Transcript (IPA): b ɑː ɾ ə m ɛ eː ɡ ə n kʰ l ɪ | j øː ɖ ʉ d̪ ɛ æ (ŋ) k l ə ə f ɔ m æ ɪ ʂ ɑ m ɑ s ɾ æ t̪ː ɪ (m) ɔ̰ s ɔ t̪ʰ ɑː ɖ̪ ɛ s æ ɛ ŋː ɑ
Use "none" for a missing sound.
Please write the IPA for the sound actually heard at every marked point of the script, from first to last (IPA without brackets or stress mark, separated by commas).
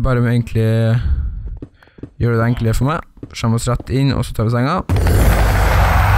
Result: ŋ, n